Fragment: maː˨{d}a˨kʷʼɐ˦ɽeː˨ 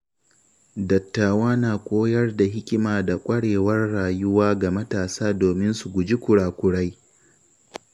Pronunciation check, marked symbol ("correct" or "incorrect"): correct